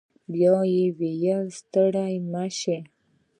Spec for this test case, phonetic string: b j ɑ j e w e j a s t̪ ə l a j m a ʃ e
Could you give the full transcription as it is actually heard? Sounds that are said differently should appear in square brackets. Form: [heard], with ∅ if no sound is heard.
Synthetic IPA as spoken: b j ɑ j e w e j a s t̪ ə [ɽ] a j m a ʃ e

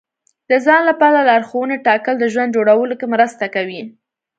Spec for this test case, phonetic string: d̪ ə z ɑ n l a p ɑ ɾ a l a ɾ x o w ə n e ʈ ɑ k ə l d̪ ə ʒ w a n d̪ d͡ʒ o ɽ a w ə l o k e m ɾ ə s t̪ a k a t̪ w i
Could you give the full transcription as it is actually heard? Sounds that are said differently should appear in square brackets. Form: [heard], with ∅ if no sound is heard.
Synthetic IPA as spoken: d̪ ə z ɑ n l a p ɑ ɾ a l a ɾ x o w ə n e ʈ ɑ k ə l d̪ ə ʒ w a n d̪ d͡ʒ o ɽ a w ə l o k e m ɾ ə s t̪ a k a [∅] w i

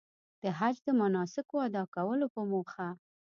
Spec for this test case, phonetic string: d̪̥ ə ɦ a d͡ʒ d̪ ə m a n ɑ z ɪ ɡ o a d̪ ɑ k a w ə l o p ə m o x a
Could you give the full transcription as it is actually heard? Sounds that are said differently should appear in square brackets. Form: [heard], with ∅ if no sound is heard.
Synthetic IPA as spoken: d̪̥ ə ɦ a d͡ʒ d̪ ə m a n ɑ [s] ɪ [k] o a d̪ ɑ k a w ə l o p ə m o x a

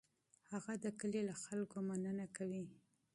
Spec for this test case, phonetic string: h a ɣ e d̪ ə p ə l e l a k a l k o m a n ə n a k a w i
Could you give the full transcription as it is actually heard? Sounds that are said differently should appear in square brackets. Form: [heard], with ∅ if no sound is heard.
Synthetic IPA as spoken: h a ɣ [a] d̪ ə [k] ə l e l a [x] a l k o m a n ə n a k a w i

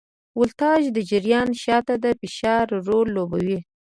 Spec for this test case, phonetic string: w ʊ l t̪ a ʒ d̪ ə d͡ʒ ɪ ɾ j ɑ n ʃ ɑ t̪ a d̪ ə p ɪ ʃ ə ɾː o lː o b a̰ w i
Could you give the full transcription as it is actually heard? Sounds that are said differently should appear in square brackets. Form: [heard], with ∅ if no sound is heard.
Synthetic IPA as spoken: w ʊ l t̪ [ɑ] ʒ d̪ ə d͡ʒ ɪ ɾ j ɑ n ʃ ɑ t̪ a d̪ ə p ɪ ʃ [ɑ] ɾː o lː o b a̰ w i

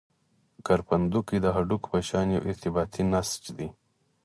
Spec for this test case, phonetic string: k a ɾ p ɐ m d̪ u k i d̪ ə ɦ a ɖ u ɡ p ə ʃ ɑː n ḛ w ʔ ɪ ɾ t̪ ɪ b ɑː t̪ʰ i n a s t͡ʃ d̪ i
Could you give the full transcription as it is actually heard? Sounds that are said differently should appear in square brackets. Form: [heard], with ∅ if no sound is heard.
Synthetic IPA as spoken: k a ɾ p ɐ [n] d̪ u k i d̪ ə ɦ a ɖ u [k] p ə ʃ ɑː n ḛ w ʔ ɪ ɾ t̪ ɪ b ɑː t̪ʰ i n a s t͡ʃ d̪ i

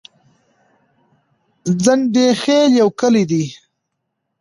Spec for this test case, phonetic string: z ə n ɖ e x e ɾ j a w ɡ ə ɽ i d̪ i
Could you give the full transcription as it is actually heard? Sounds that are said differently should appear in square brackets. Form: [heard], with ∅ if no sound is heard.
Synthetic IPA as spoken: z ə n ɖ e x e [l] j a w [k] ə [l] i d̪ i

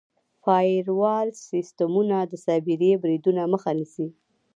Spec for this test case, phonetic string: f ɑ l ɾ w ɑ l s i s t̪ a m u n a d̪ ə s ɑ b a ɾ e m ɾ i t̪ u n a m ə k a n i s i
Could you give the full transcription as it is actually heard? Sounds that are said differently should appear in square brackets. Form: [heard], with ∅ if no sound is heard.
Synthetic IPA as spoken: f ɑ [∅] ɾ w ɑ l s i s t̪ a m u n a d̪ ə s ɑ b [i] ɾ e [b] ɾ i [d̪] u n a m ə [x] a n i s i

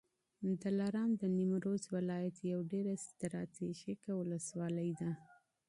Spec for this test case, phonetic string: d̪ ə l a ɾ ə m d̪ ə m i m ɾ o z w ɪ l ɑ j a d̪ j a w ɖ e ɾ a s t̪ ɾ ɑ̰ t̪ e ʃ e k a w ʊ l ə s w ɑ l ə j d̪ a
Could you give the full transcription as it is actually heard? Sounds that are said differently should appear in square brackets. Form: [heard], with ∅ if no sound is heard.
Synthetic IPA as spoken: d̪ ə l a ɾ [ɑ] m d̪ ə [n] i m ɾ o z w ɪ l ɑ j a [t̪] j a w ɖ e ɾ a s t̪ ɾ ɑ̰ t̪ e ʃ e k a w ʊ l ə s w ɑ l ə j d̪ a

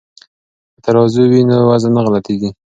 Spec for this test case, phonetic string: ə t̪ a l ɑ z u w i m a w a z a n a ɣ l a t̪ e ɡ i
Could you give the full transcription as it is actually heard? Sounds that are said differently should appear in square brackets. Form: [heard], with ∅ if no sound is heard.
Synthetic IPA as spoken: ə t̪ a [ɾ] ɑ z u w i [n] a w a z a n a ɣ l a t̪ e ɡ i

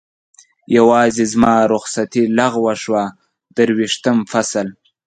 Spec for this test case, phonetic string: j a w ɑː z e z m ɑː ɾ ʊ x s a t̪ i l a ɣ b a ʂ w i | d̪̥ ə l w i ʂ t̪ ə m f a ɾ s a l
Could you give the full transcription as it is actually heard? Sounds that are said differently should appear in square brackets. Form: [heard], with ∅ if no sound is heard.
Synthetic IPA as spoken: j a w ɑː z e z m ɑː ɾ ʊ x s a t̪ i l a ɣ [w] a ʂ w [a] | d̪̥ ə [ɾ] w i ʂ t̪ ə m f a [∅] s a l

